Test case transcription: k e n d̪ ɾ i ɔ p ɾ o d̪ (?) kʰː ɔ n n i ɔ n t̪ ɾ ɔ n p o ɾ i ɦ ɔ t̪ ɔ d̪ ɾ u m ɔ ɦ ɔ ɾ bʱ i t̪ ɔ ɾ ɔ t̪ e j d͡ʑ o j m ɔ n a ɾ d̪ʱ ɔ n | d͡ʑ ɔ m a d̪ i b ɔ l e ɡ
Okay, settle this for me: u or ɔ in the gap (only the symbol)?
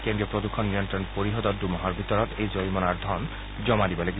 u